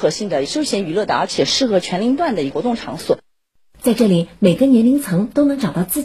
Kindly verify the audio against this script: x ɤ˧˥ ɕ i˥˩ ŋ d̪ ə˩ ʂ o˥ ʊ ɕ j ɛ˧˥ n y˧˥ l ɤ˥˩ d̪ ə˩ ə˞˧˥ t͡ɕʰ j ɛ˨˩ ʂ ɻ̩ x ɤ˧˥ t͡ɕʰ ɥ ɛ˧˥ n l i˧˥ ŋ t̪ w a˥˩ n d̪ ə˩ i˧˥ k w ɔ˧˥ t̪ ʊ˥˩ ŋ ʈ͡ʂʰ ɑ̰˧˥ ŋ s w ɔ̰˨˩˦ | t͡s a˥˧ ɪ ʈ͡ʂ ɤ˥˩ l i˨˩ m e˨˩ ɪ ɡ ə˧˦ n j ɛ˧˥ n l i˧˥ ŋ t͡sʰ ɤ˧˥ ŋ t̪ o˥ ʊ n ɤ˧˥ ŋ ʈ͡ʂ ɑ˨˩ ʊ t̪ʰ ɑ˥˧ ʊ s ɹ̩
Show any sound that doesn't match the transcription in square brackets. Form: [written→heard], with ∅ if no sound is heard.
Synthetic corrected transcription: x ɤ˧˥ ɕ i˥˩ ŋ d̪ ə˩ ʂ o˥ ʊ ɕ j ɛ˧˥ n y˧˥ l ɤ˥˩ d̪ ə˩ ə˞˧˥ t͡ɕʰ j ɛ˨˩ ʂ ɻ̩ x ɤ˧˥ t͡ɕʰ ɥ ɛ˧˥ n l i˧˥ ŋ t̪ w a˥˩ n d̪ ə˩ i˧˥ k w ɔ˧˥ t̪ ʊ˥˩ ŋ ʈ͡ʂʰ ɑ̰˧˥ ŋ s w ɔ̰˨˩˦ | t͡s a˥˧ ɪ ʈ͡ʂ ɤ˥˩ l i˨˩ m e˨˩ ɪ ɡ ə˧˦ n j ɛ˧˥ n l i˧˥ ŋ t͡sʰ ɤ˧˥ ŋ t̪ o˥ ʊ n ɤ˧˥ ŋ ʈ͡ʂ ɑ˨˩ ʊ [t̪ʰ→t̪] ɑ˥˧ ʊ [s→t͡s] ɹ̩